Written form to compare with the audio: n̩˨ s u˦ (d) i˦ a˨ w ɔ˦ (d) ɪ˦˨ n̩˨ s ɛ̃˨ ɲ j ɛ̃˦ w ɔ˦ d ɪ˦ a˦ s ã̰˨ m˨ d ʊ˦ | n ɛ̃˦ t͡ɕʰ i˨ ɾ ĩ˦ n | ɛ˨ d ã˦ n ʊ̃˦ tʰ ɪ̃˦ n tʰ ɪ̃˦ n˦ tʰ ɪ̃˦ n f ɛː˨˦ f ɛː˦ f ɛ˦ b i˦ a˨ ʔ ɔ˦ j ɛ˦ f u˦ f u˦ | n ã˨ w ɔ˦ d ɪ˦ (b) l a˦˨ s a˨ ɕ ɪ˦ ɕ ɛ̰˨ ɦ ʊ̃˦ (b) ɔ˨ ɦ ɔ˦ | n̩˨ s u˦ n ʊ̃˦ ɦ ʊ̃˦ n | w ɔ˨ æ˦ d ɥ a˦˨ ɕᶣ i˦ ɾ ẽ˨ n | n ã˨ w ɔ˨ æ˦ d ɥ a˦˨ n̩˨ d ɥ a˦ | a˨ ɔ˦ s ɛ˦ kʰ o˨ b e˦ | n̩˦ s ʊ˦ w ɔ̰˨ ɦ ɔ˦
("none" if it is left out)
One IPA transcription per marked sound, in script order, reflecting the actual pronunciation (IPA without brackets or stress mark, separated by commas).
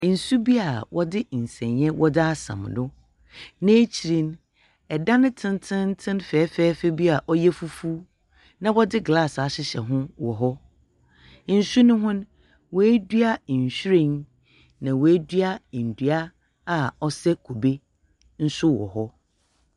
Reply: b, d, ɡ, w